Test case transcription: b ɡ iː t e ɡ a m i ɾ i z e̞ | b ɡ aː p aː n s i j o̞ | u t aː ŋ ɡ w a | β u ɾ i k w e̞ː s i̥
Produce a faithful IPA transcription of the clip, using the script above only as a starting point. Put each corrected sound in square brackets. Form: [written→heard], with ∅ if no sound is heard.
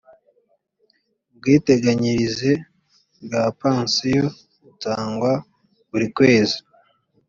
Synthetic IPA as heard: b ɡ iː t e ɡ a [m→ɲ] i ɾ i z e̞ | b ɡ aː p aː n s i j o̞ | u t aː ŋ ɡ w a | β u ɾ i k w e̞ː [s→z] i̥

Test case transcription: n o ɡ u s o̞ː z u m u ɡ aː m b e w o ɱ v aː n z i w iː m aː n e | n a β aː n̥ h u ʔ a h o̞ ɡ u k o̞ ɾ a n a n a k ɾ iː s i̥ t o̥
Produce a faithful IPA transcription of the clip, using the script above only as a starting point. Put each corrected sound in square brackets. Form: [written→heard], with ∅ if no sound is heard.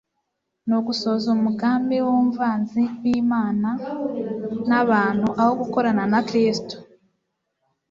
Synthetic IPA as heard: n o ɡ u s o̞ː z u m u ɡ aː m b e w o ɱ v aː n z i w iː m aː n [e→a] | n a β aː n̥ h u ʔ a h o̞ ɡ u k o̞ ɾ a n a n a k ɾ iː s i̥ t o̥

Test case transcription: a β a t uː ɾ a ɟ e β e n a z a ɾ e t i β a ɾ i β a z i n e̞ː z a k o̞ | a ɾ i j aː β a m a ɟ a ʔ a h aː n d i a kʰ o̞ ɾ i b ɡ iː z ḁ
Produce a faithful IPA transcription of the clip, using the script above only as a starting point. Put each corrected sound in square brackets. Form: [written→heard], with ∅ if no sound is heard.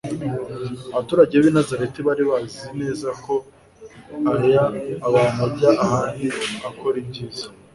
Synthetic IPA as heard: a β a t uː ɾ a ɟ e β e n a z a ɾ e t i β a ɾ i β a z i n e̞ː z a k o̞ | a ɾ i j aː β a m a ɟ a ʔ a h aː n d i a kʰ o̞ ɾ i b [ɡ→ɟ] iː z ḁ

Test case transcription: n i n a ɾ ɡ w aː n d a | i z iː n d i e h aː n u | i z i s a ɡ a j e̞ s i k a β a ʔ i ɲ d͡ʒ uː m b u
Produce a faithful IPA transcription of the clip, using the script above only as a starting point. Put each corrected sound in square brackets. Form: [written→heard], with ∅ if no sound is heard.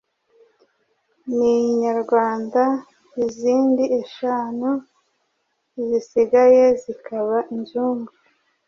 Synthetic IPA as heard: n i [n→ɲ] a ɾ ɡ w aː n d a | i z iː n d i e [h→ʃ] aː n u | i z i s [a→i] ɡ a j e̞ [s→z] i k a β a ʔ i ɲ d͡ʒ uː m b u

